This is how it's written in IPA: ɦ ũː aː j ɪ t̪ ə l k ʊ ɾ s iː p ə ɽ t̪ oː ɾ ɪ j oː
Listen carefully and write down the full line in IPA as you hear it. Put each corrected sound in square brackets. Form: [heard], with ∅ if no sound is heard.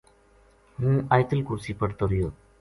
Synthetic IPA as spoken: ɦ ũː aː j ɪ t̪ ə l k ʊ ɾ s iː p ə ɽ t̪ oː ɾ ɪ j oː